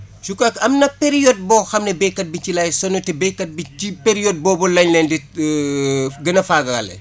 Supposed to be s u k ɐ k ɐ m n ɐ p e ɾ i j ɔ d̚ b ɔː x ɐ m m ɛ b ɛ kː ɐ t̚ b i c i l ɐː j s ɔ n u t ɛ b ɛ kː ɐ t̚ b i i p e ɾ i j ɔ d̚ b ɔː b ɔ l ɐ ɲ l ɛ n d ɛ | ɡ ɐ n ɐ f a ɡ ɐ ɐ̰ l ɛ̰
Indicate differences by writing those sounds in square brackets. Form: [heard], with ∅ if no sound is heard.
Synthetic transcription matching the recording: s u k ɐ k ɐ m n ɐ p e ɾ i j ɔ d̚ b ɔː x ɐ m [n] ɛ b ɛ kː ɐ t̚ b i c i l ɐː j s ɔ n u t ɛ b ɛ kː ɐ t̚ b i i p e ɾ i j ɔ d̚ b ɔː b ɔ l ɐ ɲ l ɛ n d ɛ | ɡ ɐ n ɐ f a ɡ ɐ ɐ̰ l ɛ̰